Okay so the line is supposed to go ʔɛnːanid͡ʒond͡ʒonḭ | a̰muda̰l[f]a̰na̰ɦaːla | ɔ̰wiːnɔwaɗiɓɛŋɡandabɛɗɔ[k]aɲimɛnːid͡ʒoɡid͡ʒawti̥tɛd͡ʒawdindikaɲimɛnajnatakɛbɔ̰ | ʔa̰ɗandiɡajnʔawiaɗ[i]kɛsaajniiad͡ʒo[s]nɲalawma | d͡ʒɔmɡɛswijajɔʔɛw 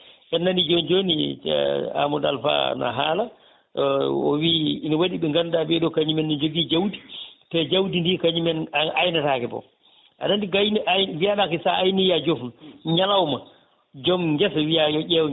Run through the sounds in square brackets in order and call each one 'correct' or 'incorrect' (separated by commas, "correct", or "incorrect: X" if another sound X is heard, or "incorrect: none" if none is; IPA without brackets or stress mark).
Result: correct, correct, incorrect: a, incorrect: f